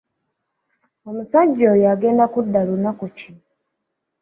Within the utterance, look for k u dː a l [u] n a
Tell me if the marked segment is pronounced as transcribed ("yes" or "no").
yes